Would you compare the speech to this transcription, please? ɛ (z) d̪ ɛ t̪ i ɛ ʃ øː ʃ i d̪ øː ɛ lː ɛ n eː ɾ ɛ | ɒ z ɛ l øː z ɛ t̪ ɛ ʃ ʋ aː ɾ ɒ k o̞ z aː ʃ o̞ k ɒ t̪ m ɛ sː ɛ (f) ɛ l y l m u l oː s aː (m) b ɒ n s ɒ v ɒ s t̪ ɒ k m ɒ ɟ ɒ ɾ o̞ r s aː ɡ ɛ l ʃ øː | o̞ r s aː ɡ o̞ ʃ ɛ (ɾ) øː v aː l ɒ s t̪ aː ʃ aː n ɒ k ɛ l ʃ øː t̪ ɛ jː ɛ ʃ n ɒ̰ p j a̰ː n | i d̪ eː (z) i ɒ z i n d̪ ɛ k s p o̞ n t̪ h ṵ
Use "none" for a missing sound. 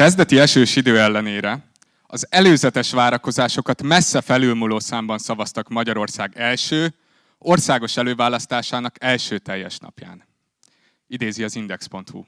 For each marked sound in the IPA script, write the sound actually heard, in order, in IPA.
z, f, m, l, z

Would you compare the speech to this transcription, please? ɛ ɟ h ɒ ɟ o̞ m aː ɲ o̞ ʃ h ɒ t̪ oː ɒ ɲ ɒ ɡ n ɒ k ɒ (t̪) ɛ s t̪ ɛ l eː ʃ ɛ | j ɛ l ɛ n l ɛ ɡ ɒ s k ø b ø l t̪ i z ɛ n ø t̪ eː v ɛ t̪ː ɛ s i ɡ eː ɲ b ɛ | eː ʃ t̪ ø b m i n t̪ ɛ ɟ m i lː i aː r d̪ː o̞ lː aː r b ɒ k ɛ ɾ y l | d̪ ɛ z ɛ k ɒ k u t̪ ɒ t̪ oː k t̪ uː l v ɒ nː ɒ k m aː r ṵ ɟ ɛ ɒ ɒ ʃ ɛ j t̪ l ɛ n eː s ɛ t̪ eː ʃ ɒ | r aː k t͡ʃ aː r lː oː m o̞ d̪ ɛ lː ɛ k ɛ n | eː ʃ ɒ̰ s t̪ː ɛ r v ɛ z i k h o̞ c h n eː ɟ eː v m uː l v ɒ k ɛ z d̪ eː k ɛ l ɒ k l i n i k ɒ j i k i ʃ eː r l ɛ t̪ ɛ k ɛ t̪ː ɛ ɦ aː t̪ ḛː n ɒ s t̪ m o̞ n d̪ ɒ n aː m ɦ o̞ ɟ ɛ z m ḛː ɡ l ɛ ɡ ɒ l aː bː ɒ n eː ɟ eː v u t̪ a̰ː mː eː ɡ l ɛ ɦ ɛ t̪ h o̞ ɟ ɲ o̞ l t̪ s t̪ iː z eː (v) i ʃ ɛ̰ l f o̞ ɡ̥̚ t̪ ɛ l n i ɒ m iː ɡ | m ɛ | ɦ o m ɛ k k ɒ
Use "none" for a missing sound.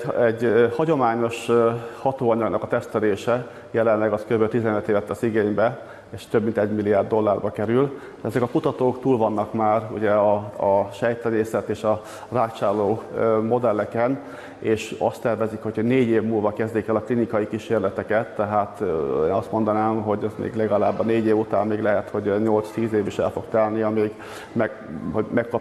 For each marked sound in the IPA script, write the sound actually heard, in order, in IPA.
t̪, v

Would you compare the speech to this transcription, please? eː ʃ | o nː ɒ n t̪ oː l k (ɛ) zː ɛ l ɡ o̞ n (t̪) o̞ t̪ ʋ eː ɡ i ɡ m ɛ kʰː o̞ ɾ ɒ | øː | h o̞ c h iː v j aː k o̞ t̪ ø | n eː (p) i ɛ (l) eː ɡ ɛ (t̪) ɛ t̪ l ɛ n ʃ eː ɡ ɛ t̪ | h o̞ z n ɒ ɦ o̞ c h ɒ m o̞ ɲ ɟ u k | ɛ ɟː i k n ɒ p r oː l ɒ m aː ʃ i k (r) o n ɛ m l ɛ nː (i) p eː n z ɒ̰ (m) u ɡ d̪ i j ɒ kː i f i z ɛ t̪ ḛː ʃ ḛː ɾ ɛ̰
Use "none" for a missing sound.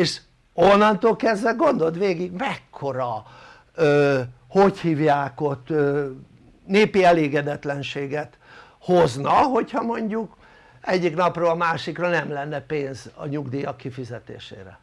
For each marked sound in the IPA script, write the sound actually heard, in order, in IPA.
ɛ, d̪, p, l, d̪, r, ɛ, ɲ

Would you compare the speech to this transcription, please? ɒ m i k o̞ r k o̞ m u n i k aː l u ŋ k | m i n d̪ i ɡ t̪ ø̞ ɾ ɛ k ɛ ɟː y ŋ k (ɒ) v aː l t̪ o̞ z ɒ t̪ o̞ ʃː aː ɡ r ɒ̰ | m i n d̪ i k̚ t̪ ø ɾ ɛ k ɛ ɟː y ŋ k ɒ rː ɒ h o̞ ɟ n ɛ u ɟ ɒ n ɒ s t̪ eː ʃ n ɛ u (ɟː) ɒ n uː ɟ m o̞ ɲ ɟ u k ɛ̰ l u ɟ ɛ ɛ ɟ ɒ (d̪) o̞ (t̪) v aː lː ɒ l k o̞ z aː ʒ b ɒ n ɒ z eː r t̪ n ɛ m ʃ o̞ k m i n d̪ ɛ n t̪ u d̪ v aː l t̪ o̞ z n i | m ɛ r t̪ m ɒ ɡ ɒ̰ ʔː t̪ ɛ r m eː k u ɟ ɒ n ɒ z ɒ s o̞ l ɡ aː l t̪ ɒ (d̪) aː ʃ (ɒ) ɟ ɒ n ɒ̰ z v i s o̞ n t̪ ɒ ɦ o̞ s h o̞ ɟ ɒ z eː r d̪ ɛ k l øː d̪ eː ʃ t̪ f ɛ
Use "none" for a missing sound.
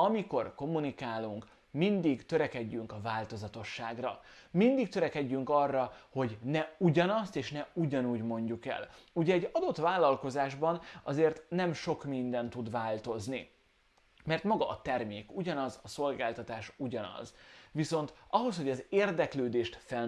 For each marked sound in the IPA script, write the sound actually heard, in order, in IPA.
ɒ, ɟ, d̪, t̪, t̪, u

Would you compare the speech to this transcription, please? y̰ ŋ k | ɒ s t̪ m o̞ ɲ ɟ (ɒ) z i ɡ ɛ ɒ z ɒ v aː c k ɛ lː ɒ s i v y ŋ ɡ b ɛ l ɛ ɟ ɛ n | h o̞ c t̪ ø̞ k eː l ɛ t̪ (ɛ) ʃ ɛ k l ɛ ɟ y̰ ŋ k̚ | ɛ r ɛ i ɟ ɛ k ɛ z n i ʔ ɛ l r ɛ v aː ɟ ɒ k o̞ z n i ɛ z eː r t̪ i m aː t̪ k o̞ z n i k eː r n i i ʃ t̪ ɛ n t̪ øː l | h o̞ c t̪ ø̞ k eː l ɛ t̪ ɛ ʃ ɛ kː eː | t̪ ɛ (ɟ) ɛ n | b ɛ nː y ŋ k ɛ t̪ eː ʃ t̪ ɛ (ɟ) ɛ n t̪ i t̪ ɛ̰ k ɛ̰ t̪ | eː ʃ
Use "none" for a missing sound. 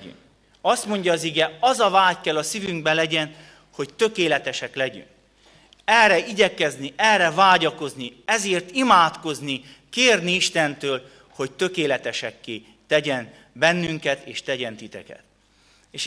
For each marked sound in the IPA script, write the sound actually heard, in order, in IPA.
ɒː, ɛ, ɟ, ɟ

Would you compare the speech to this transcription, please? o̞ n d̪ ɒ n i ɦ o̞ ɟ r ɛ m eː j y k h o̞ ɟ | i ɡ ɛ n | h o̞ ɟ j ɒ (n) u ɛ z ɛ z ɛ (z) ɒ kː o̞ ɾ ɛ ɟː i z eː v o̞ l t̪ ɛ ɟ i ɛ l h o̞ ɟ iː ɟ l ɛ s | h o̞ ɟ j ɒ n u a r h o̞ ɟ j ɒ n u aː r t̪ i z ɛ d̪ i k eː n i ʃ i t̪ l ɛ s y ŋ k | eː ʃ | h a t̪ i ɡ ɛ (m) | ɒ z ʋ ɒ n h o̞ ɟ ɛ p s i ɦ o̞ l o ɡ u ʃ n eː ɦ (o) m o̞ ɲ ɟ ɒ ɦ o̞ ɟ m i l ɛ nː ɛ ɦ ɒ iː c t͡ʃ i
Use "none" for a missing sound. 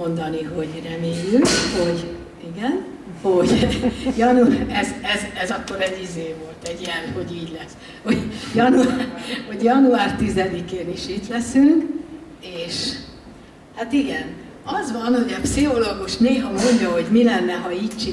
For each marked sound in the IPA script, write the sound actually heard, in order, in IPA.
n, z, n, ɒ

